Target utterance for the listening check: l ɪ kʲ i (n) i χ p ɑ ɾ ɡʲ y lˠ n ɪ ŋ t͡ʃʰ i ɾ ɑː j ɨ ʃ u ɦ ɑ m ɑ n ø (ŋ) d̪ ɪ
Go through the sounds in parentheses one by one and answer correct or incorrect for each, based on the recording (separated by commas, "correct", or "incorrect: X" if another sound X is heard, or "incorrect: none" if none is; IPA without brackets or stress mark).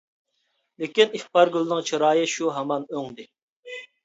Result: correct, correct